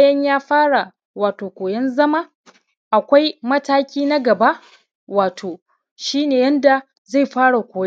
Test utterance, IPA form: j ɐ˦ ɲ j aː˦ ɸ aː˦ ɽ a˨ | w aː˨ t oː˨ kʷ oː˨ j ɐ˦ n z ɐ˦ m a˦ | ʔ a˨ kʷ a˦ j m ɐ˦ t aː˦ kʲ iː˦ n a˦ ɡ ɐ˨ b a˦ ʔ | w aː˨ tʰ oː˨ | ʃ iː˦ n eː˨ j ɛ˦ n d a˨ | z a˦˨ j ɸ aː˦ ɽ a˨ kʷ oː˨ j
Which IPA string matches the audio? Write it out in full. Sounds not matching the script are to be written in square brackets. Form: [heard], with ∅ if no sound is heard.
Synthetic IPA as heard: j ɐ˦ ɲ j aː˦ ɸ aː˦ ɽ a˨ | w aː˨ t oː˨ kʷ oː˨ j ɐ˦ n z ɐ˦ m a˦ | ʔ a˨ kʷ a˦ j m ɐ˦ t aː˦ kʲ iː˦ n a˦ ɡ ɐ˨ b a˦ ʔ | w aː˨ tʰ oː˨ | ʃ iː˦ n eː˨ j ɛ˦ n d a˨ | z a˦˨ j ɸ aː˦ ɽ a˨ kʷ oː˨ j